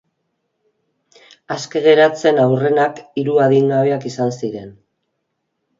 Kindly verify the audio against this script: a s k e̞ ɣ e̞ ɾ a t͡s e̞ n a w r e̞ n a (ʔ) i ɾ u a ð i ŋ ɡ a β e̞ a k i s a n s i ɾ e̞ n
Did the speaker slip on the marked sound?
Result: yes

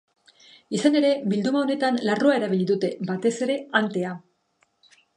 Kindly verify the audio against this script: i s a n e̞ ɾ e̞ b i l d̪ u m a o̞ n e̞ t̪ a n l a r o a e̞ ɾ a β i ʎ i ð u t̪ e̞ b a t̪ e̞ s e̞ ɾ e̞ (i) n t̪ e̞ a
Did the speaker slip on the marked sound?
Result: yes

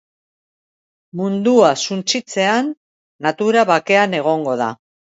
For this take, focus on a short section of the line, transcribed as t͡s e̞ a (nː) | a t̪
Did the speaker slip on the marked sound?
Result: no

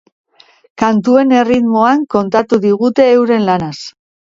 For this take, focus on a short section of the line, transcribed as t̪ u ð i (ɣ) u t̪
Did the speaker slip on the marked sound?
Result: no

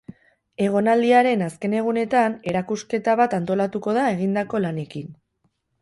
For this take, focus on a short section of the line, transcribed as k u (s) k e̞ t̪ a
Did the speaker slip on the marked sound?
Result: no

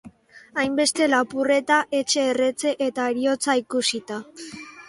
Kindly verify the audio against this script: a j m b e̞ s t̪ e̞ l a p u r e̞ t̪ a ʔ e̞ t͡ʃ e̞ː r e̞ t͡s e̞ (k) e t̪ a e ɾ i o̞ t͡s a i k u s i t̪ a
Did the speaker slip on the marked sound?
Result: yes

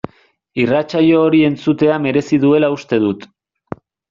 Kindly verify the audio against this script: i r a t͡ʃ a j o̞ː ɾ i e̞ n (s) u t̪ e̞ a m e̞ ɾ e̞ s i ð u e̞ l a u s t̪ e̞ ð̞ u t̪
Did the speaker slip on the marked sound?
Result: yes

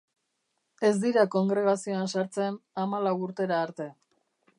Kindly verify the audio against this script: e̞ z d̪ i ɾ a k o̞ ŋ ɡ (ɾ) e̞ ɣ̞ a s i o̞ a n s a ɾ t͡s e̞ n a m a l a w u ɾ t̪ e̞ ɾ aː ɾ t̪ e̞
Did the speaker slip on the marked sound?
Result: no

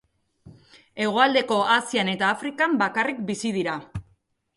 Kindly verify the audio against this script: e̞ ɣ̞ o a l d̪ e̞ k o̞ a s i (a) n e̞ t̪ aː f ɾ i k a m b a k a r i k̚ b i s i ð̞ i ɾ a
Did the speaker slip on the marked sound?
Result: no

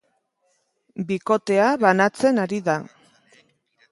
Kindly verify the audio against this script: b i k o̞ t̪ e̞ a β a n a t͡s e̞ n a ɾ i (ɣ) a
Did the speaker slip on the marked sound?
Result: yes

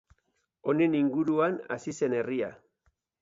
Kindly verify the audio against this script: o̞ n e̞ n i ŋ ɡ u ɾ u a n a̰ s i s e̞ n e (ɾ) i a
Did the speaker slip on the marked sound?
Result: yes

